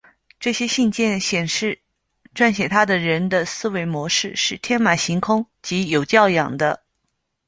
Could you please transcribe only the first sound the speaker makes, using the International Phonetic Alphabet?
ʈ͡ʂ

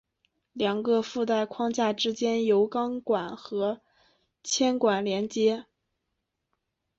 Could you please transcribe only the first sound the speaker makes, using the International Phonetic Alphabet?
l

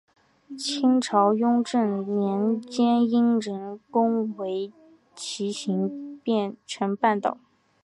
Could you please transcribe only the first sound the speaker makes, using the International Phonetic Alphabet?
t͡ɕʰ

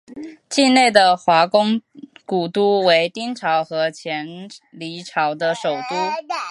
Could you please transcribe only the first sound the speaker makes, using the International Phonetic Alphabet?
t͡ɕ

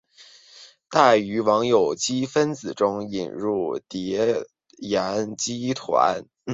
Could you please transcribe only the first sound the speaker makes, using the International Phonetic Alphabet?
t̪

